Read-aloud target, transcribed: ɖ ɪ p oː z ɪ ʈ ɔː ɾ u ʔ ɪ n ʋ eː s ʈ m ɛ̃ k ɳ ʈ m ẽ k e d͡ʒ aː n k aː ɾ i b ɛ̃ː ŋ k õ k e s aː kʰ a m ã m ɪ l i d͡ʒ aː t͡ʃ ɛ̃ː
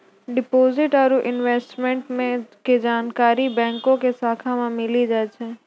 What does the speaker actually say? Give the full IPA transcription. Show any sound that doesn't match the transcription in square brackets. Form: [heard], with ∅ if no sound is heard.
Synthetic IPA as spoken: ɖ ɪ p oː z ɪ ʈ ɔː ɾ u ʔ ɪ n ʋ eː s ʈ m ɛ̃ [∅] ɳ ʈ m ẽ k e d͡ʒ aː n k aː ɾ i b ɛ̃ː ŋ k õ k e s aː kʰ a m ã m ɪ l i d͡ʒ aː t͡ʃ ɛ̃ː